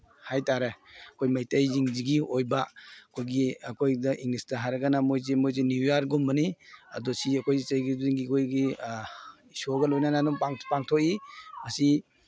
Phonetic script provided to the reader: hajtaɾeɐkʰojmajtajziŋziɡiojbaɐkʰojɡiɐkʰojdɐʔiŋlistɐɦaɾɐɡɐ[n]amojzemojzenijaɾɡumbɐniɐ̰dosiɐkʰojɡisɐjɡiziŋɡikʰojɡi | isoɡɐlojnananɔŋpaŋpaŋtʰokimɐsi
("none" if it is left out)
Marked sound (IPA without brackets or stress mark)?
n